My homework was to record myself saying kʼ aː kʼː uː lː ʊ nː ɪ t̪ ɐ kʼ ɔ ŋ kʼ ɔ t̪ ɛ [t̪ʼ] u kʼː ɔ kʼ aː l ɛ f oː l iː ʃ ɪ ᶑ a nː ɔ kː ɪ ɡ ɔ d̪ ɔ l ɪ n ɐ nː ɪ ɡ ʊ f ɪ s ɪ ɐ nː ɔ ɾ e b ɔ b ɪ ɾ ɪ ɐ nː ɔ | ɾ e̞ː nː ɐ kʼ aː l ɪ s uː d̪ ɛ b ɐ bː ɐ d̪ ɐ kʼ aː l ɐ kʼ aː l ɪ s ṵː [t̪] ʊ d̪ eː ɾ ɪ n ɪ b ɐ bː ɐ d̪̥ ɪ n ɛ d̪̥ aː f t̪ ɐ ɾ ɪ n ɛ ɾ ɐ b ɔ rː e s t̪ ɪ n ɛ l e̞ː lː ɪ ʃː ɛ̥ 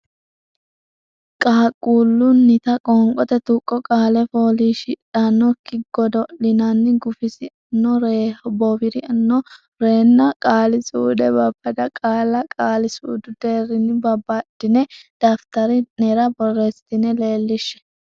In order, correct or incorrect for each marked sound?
incorrect: t̪, incorrect: d̪

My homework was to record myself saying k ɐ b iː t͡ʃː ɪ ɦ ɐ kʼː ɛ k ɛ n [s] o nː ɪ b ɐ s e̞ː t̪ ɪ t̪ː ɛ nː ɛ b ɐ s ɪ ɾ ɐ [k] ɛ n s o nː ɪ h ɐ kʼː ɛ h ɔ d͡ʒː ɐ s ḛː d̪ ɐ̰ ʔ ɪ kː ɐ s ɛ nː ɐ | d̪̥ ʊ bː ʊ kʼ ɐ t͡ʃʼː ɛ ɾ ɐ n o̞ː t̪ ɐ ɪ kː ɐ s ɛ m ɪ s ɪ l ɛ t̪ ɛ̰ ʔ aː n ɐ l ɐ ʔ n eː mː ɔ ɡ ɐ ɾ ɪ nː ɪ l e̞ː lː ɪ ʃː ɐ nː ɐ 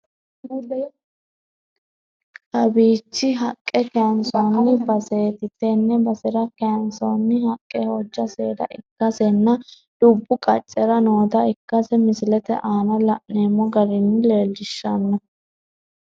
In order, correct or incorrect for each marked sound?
correct, correct

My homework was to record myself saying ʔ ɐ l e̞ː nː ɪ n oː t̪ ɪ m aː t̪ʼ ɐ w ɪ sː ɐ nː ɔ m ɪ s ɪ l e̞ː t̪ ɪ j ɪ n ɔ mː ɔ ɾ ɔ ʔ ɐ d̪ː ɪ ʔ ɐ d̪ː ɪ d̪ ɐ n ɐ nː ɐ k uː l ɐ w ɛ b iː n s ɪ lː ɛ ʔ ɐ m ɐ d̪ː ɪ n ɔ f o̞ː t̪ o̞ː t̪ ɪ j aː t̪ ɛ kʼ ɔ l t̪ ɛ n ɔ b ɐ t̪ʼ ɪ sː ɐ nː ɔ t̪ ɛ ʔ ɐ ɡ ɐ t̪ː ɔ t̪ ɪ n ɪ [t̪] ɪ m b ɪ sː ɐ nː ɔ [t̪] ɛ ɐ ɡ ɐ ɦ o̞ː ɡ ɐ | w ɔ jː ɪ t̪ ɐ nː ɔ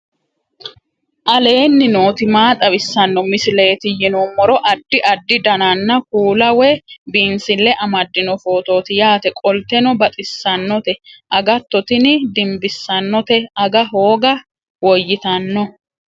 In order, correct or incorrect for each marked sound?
incorrect: d̪, correct

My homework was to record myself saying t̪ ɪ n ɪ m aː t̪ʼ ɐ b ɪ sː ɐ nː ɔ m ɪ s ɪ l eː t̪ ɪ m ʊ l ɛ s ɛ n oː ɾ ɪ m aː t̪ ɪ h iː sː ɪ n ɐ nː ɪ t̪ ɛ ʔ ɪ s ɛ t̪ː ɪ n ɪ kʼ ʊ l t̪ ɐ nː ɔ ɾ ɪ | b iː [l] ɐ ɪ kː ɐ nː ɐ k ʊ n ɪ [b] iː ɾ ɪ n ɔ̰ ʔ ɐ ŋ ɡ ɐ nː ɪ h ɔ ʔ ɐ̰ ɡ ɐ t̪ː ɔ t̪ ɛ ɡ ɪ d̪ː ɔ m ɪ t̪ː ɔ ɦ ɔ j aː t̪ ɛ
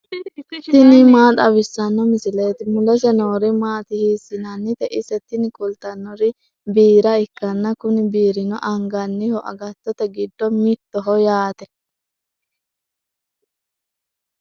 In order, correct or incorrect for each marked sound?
incorrect: ɾ, correct

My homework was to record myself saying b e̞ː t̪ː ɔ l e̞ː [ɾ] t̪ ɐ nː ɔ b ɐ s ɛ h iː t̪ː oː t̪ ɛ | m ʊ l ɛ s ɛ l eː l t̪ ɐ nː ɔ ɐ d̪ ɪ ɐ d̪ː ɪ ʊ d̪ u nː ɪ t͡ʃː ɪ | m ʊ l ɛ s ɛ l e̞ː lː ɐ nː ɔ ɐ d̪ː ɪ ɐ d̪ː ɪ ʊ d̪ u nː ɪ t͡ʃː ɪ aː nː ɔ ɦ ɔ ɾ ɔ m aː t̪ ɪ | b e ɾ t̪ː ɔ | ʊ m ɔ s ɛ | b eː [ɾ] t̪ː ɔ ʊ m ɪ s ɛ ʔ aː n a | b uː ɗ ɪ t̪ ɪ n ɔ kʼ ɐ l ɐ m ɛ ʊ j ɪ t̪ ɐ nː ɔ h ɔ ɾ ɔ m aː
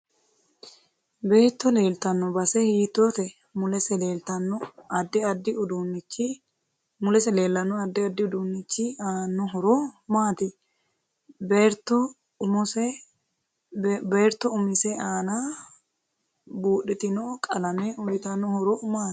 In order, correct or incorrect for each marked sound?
incorrect: l, correct

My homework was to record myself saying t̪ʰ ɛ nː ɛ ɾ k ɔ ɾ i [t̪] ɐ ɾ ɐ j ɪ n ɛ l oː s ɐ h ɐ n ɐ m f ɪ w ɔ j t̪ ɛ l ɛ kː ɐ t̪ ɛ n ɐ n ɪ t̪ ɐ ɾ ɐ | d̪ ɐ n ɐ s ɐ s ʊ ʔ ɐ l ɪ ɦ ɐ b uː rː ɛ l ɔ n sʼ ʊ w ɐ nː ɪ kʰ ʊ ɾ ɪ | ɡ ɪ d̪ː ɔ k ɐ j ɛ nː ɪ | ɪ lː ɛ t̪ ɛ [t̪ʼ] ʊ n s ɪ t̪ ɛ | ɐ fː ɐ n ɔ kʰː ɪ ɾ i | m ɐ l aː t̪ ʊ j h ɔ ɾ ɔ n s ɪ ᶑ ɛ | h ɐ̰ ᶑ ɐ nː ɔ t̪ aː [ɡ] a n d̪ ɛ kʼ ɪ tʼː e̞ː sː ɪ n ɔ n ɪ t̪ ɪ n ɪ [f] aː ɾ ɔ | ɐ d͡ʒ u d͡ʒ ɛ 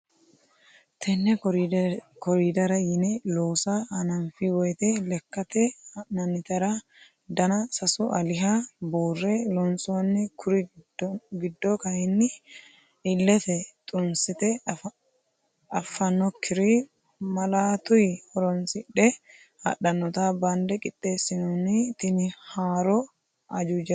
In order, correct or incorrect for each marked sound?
incorrect: d̪, correct, incorrect: b, incorrect: h

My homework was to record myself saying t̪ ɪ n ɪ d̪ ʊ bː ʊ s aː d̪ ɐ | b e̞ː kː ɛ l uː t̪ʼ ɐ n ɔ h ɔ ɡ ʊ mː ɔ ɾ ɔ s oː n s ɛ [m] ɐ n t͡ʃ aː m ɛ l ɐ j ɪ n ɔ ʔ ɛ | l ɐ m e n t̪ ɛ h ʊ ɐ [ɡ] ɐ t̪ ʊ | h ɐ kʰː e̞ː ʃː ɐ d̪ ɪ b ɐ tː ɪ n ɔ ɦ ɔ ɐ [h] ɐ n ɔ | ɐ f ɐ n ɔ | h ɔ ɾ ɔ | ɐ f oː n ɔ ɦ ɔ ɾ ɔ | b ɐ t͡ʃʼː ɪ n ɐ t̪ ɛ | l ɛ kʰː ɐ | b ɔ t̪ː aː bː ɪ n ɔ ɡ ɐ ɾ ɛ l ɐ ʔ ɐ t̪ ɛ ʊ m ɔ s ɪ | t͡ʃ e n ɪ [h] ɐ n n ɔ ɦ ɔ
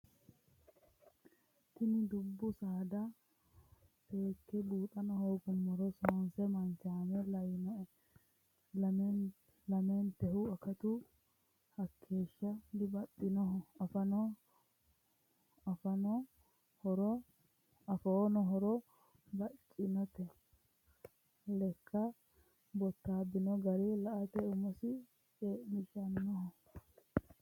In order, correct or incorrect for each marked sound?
correct, incorrect: k, incorrect: f, incorrect: ʃ

